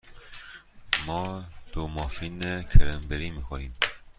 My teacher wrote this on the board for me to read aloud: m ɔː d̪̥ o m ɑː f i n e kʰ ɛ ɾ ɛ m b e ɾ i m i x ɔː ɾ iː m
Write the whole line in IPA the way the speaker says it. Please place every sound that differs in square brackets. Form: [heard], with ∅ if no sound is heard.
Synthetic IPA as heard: m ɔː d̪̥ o m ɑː f i n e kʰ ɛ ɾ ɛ m b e ɾ i m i x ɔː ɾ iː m